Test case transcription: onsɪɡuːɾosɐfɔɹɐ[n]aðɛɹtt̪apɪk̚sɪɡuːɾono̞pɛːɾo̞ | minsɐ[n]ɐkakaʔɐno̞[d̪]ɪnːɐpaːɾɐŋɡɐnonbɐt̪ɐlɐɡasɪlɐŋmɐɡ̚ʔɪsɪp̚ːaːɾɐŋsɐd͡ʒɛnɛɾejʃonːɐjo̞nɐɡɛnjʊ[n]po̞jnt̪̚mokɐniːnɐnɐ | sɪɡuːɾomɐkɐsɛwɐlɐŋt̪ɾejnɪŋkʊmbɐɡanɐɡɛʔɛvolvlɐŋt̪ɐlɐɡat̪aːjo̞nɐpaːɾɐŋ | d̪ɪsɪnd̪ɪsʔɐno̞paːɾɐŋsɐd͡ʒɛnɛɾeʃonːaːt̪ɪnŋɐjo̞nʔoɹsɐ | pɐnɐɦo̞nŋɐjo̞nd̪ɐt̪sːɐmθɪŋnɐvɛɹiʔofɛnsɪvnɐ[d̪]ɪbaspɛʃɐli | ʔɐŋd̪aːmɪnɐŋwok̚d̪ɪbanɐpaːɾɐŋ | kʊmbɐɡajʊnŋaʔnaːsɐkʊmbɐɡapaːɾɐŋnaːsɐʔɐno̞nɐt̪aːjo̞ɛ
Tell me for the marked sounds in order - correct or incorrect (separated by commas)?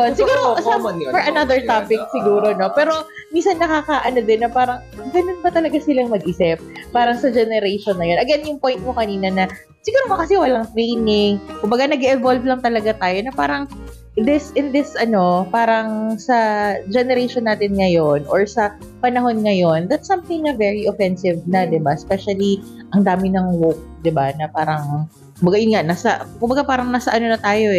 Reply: correct, incorrect, correct, incorrect, correct